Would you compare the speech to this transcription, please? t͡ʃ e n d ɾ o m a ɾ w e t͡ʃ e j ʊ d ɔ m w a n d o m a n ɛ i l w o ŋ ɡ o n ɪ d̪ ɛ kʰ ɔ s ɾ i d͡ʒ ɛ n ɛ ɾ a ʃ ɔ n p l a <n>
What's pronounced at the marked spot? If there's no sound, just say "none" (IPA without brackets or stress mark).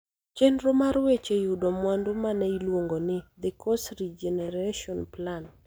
n